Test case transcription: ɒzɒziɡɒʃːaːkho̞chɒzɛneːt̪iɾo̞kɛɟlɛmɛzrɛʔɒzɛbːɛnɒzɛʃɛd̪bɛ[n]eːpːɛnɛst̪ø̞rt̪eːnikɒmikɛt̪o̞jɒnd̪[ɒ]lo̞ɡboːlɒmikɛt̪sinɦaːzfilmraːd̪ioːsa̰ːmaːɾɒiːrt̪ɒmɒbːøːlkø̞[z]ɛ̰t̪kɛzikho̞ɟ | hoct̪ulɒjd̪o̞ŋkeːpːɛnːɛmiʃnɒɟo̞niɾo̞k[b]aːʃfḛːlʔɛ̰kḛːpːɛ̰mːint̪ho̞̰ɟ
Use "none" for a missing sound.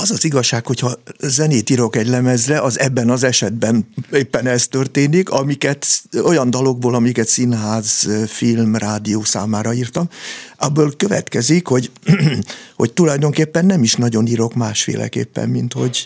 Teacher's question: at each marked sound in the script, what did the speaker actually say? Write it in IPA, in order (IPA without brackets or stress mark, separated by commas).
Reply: n, ɒ, v, m